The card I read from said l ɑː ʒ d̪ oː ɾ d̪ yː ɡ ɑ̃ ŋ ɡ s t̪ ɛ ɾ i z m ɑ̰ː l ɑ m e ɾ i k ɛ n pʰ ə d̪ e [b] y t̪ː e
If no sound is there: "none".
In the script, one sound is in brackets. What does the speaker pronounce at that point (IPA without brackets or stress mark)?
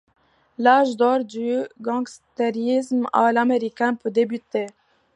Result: b